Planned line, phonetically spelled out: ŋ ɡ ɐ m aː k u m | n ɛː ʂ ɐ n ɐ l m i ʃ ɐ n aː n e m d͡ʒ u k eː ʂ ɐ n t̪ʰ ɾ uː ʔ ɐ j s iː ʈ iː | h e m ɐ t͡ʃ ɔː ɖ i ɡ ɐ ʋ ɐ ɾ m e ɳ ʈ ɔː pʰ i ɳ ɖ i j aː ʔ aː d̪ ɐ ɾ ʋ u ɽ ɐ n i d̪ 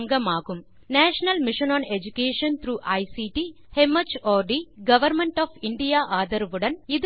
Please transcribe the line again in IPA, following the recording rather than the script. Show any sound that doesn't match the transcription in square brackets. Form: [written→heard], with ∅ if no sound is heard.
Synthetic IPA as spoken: ŋ ɡ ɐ m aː k u m | n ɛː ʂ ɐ n ɐ l m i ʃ ɐ n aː n e [m→∅] d͡ʒ u k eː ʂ ɐ n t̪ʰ ɾ uː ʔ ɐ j s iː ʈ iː | h e m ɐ t͡ʃ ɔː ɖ i ɡ ɐ ʋ ɐ ɾ m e ɳ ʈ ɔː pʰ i ɳ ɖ i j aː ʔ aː d̪ ɐ ɾ ʋ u ɽ ɐ n i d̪